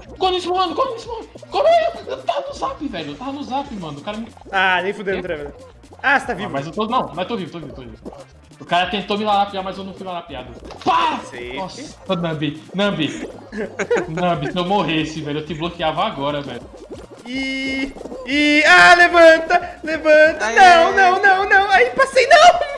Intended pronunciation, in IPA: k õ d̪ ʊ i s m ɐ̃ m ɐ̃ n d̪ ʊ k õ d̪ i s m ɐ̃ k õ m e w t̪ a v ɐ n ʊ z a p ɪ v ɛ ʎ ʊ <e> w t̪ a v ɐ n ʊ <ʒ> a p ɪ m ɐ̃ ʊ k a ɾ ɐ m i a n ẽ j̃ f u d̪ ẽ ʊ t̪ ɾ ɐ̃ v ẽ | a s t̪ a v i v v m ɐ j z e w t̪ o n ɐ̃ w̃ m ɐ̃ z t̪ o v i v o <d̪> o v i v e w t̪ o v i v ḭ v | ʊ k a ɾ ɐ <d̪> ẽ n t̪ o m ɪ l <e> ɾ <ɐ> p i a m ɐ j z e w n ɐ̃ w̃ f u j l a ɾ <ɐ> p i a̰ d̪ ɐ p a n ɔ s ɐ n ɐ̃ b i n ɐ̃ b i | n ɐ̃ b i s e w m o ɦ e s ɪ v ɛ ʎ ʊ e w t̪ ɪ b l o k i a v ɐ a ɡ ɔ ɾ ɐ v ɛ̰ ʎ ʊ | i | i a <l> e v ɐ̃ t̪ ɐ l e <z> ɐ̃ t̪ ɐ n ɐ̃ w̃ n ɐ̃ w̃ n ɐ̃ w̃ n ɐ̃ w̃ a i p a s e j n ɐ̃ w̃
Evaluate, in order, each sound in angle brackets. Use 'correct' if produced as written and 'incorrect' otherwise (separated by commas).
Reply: correct, incorrect, incorrect, incorrect, incorrect, incorrect, incorrect, correct, incorrect